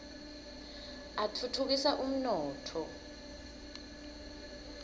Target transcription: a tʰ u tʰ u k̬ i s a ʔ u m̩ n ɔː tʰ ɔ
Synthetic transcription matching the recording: a tʰ u tʰ u k̬ i s a ʔ u m̩ n ɔː tʰ ɔ